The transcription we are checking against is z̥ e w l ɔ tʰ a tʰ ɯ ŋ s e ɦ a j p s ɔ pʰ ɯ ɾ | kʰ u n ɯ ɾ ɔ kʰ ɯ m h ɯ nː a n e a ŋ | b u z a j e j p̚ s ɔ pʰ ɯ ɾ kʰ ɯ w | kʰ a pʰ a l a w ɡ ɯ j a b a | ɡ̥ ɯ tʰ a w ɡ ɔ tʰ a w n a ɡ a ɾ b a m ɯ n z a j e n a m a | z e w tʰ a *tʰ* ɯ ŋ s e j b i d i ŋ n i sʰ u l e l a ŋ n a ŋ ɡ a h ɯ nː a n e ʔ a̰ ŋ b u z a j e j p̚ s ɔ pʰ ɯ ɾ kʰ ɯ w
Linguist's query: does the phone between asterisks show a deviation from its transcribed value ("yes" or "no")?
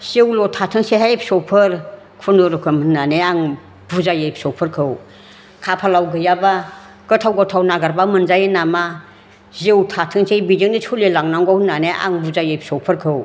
no